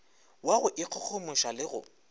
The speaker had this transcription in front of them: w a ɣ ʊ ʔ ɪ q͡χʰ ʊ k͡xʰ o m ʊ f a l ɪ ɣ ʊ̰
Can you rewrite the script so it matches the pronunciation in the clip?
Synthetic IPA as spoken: w a ɣ ʊ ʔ ɪ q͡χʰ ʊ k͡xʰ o m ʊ ʃ a l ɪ ɣ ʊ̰